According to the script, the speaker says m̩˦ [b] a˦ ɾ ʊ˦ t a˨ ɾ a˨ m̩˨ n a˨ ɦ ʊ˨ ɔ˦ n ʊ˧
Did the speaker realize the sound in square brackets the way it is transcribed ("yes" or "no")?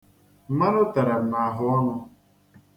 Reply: no